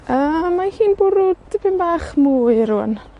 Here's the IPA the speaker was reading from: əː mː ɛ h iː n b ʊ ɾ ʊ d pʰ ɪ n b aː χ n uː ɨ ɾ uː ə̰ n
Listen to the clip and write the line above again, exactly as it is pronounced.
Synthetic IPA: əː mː a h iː n b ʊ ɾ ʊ d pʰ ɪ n b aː χ m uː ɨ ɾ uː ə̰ n